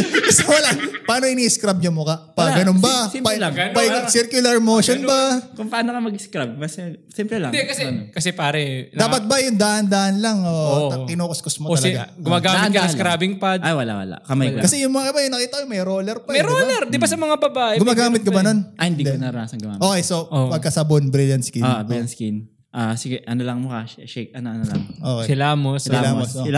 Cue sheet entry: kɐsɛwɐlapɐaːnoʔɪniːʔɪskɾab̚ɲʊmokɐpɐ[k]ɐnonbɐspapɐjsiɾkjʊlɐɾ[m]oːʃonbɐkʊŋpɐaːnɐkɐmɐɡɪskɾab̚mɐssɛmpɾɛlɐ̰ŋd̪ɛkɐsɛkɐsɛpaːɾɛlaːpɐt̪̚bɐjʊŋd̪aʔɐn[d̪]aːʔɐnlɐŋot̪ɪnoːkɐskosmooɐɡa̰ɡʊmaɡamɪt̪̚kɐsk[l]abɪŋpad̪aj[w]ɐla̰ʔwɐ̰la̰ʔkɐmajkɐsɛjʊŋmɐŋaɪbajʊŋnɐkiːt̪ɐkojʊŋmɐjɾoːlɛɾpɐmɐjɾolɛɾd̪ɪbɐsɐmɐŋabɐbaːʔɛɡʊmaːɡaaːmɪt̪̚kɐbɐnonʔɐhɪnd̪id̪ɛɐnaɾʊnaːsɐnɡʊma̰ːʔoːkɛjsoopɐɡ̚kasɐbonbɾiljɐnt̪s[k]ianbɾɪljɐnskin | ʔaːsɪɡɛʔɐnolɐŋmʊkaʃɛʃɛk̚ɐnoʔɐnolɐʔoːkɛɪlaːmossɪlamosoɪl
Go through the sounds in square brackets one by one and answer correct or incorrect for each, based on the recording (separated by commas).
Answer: incorrect, correct, correct, incorrect, correct, correct